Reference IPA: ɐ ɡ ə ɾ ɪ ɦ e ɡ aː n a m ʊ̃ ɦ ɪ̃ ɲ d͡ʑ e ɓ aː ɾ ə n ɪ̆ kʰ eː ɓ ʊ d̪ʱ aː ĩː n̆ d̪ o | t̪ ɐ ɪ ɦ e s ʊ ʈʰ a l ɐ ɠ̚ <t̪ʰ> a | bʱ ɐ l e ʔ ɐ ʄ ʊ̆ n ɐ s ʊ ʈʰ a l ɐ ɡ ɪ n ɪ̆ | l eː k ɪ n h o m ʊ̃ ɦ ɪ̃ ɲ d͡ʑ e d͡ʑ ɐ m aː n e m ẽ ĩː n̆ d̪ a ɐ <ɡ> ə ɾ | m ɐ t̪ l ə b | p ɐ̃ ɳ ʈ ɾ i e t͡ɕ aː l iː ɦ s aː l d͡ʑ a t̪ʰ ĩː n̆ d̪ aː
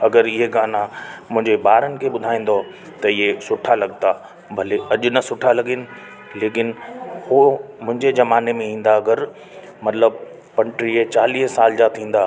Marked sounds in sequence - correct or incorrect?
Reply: incorrect: t̪, correct

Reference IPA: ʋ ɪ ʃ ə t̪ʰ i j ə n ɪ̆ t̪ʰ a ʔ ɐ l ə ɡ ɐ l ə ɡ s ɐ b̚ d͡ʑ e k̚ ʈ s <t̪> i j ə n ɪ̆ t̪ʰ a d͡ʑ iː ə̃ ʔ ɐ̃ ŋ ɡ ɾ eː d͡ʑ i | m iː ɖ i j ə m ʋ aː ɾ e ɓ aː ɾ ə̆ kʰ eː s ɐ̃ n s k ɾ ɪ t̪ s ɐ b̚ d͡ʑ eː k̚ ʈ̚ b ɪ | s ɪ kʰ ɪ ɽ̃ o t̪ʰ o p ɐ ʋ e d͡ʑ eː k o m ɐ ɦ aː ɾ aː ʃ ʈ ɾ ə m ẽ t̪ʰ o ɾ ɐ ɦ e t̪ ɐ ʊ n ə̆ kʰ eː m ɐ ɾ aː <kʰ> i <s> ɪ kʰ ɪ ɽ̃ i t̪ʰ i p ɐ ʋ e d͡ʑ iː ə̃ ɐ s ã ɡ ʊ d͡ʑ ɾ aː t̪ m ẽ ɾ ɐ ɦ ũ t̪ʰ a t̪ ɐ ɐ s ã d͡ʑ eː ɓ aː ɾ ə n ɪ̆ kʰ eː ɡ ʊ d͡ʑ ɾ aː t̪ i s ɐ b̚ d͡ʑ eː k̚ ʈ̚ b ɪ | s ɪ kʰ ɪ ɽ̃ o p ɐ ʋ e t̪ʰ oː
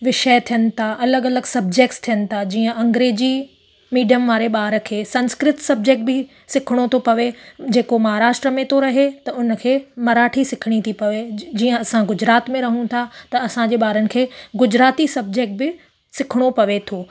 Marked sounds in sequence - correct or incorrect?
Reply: incorrect: t̪ʰ, incorrect: ʈʰ, correct

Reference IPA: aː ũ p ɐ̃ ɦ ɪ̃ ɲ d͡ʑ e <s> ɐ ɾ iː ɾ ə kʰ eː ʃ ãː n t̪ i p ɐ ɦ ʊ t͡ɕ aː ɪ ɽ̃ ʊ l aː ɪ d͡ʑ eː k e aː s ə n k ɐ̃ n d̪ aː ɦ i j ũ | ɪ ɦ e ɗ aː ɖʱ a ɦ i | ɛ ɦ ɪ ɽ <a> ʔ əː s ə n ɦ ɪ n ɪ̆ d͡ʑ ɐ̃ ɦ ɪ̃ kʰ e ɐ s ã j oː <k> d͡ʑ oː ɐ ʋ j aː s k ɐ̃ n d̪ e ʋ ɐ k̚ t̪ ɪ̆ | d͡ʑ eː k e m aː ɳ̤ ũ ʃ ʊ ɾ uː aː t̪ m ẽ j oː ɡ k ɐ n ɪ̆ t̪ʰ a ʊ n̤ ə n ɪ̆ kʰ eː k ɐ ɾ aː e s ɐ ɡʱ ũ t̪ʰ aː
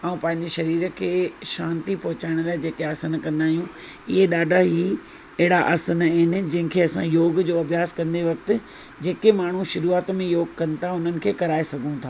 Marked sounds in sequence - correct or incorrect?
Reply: incorrect: ʃ, correct, incorrect: ɡ

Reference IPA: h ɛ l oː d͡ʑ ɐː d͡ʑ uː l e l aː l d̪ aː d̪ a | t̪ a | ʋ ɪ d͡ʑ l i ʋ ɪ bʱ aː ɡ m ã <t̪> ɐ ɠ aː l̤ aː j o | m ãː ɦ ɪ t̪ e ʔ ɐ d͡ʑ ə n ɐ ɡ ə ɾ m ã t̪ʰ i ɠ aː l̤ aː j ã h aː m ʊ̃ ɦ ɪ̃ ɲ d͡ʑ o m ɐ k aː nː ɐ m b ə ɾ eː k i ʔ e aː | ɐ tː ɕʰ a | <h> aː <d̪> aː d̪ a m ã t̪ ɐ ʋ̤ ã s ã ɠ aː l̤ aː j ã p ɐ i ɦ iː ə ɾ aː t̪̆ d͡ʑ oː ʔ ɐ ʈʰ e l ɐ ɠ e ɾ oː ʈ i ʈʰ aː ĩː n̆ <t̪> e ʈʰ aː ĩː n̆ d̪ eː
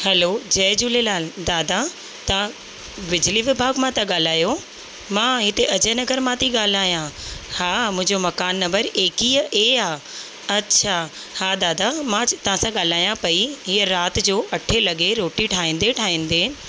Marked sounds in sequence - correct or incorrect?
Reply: correct, correct, correct, incorrect: d̪

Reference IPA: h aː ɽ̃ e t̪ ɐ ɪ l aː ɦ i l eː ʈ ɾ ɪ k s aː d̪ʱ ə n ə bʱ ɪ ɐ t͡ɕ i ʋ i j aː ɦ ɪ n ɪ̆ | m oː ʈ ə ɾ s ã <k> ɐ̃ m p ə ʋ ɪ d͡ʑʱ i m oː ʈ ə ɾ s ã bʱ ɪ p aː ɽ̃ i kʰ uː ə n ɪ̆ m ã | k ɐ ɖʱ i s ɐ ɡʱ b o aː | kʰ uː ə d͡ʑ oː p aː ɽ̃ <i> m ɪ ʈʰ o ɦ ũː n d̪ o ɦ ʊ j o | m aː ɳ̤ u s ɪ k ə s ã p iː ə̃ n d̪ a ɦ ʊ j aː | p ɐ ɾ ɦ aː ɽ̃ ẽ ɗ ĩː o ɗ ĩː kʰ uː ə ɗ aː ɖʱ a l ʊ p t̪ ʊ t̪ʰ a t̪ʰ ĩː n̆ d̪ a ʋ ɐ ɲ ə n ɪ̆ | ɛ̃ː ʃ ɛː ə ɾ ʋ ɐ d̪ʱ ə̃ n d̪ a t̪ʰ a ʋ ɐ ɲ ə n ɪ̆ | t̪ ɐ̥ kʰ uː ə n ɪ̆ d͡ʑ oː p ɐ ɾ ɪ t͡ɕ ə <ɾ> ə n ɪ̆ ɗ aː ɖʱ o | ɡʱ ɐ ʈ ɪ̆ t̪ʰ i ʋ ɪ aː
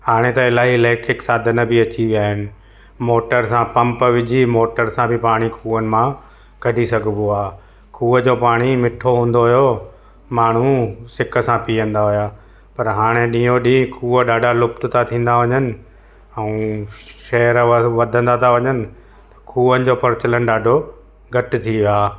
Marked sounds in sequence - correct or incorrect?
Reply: incorrect: p, correct, incorrect: l

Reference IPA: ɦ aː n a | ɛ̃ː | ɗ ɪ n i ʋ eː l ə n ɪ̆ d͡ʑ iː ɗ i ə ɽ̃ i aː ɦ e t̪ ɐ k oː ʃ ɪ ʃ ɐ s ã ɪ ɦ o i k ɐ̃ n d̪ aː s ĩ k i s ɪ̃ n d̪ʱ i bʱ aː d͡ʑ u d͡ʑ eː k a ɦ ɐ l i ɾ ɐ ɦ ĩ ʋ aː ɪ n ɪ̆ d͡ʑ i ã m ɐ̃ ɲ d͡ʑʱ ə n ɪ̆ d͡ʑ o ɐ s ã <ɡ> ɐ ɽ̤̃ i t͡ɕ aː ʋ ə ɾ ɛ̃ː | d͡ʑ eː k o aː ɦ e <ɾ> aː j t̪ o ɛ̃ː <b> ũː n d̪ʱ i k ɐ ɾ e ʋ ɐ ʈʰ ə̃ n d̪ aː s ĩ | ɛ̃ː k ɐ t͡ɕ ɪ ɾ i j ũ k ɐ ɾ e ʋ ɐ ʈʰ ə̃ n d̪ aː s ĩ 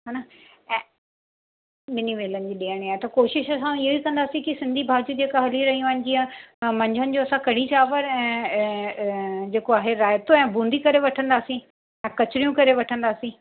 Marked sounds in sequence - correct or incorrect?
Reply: incorrect: k, correct, correct

